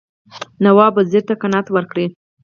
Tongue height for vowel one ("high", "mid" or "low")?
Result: low